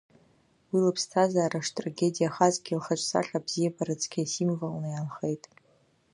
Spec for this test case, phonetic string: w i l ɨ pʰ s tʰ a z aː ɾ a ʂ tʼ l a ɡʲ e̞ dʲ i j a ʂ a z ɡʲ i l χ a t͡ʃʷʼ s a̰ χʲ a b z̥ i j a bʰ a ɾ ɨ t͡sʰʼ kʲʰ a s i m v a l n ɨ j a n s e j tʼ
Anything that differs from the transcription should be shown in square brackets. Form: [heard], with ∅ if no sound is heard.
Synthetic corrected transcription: w i l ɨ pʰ s tʰ a z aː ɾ a ʂ tʼ [r] a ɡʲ e̞ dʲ i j a [χ] a z ɡʲ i l χ a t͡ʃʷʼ s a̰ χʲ a b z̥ i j a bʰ a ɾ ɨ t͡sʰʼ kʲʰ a s i m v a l n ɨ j a n [χ] e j tʼ